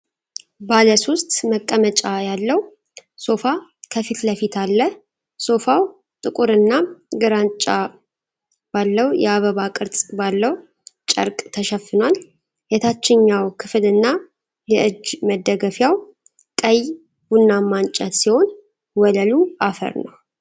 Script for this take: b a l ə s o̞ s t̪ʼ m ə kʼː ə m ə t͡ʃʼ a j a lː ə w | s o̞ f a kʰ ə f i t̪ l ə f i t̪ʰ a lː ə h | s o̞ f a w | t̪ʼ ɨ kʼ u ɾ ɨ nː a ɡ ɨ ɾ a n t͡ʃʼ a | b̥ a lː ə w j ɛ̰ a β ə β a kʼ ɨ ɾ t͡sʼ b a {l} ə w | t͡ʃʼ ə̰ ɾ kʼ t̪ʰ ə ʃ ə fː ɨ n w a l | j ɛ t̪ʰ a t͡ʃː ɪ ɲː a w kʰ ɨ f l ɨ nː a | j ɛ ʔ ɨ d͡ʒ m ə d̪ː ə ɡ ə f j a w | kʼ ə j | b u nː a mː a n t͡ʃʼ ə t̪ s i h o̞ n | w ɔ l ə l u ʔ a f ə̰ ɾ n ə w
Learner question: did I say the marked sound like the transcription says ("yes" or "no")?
no